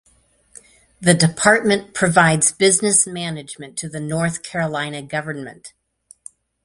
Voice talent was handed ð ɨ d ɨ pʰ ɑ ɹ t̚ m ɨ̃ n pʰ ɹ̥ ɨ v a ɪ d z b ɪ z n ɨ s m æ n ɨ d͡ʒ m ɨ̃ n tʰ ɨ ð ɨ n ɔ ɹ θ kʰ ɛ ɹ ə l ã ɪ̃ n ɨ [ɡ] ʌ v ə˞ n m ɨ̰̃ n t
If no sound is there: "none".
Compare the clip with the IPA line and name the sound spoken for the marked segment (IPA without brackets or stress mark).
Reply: ɡ